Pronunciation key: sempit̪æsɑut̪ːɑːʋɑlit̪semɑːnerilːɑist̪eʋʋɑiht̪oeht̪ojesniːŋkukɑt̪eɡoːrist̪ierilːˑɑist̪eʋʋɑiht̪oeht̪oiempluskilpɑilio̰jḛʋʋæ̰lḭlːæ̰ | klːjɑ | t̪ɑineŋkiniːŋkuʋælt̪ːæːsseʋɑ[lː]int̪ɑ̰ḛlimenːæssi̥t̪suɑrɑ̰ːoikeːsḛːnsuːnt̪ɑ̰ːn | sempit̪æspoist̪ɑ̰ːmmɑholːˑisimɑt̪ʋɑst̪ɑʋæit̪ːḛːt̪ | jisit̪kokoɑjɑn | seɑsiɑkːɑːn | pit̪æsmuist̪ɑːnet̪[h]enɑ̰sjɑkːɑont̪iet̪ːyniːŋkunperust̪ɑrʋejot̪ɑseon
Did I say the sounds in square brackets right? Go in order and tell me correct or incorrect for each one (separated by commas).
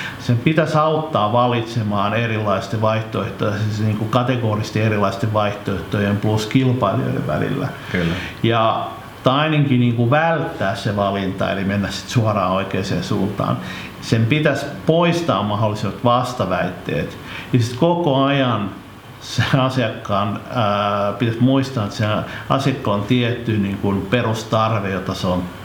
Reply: incorrect, incorrect